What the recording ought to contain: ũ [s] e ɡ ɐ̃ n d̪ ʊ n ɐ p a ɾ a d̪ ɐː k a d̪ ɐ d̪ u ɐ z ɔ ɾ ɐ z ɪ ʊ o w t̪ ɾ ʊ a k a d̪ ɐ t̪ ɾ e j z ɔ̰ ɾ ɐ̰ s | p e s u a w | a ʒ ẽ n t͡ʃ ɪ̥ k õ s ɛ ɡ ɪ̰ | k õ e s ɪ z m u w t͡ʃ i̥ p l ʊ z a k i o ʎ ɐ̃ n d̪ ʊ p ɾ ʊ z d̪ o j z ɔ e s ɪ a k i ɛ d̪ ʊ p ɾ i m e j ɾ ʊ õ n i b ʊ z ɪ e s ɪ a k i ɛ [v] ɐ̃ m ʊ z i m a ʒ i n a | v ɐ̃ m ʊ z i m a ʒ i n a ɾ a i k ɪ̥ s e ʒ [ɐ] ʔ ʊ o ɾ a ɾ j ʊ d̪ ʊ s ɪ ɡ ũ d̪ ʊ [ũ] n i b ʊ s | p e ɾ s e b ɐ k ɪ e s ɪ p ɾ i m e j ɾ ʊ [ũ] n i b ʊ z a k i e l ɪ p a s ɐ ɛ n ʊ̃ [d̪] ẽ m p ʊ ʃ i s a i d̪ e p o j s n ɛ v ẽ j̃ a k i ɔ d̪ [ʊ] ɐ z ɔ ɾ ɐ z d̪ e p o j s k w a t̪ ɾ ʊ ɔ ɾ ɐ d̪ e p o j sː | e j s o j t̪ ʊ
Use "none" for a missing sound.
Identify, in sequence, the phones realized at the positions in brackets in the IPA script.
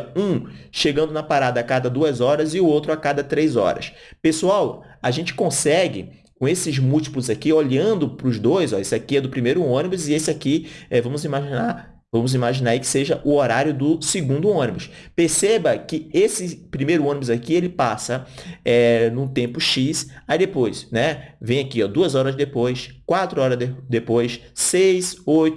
ʃ, v, ɐ, õ, õ, t̪, u

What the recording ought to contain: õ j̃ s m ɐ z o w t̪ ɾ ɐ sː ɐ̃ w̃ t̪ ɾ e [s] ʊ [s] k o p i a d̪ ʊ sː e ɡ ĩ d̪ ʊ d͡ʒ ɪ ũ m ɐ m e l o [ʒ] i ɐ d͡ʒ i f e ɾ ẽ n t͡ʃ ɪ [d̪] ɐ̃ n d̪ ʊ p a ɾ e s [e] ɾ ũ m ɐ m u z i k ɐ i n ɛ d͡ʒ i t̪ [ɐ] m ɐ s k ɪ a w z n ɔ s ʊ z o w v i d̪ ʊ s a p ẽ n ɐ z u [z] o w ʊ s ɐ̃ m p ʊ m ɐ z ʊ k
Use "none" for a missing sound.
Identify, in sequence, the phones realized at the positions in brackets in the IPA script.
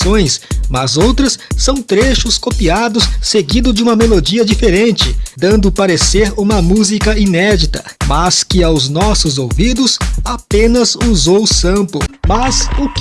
ʃ, s, d͡ʒ, d̪, e, ɐ, z

